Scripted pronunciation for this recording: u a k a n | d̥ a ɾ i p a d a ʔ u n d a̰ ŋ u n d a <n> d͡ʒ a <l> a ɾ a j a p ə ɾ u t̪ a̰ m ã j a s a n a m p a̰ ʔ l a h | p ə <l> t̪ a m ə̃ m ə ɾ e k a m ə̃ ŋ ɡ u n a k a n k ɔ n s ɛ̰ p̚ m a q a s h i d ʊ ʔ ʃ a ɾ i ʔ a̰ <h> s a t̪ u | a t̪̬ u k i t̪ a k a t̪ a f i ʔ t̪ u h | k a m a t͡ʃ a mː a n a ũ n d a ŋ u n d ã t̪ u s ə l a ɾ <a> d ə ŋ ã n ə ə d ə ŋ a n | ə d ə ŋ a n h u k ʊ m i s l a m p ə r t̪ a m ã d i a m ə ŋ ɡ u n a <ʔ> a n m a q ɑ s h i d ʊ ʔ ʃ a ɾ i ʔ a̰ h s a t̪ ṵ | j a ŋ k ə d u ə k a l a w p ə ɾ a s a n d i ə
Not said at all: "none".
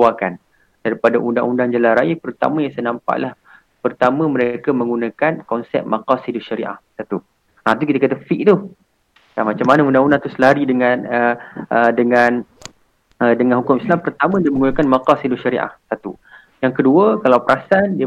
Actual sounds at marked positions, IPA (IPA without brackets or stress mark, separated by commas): ŋ, l, r, h, i, k